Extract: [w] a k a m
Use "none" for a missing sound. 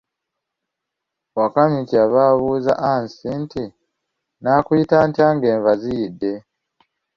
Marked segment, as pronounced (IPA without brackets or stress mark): w